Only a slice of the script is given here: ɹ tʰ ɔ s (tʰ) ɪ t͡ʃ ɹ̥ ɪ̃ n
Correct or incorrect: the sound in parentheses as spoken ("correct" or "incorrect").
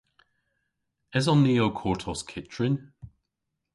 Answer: incorrect